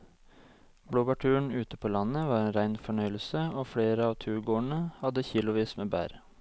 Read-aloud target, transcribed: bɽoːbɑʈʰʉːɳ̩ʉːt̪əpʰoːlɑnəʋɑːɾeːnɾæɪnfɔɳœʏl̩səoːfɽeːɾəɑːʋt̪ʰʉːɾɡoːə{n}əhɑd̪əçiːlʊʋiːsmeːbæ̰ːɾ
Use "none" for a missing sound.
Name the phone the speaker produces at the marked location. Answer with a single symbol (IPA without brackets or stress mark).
ɳ